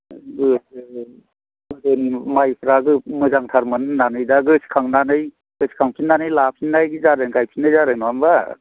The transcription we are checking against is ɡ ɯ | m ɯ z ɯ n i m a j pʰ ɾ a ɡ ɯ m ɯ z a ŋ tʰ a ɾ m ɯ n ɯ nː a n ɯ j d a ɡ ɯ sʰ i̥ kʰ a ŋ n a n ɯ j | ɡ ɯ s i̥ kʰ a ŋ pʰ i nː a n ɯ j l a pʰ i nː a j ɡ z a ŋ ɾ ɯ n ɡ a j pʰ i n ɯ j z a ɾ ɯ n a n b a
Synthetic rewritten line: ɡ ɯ | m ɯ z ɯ n i m a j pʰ ɾ a ɡ ɯ m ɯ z a ŋ tʰ a ɾ m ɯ n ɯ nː a n ɯ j d a ɡ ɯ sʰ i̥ kʰ a ŋ n a n ɯ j | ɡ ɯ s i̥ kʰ a ŋ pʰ i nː a n ɯ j l a pʰ i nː a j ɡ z a ɾ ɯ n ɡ a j pʰ i n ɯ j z a ɾ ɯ n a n b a